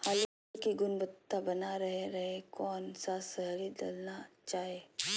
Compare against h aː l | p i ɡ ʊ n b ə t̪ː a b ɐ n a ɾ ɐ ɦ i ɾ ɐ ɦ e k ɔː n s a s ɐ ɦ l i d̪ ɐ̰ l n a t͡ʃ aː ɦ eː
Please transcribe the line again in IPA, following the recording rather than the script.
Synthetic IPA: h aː l | k i ɡ ʊ n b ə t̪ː a b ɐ n a ɾ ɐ ɦ e ɾ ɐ ɦ e k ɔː n s a s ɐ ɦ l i d̪ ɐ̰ l n a t͡ʃ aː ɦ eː